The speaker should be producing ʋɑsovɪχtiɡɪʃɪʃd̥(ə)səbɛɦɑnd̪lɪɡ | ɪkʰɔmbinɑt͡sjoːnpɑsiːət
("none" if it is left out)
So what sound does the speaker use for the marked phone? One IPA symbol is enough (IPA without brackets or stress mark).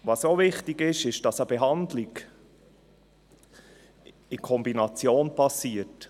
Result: ɑ